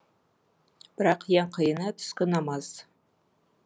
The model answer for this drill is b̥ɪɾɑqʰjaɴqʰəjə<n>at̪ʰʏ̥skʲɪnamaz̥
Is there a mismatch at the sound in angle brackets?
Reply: no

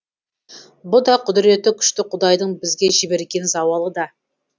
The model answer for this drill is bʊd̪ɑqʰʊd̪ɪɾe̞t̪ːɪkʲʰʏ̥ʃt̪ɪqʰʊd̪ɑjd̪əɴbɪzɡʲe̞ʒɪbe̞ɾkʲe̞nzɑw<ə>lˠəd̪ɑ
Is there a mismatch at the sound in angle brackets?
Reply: yes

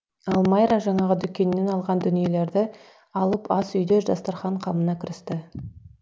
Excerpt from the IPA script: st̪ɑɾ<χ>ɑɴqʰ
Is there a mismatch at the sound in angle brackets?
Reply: no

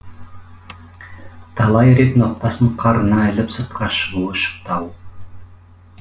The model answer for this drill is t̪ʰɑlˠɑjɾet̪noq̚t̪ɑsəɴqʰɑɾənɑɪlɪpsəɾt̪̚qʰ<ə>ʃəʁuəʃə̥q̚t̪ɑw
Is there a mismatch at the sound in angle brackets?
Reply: yes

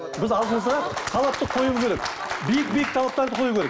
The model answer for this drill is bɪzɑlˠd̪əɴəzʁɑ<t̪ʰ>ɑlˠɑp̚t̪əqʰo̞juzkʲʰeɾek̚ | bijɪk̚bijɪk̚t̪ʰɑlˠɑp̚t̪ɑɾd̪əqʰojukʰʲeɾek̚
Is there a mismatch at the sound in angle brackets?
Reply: no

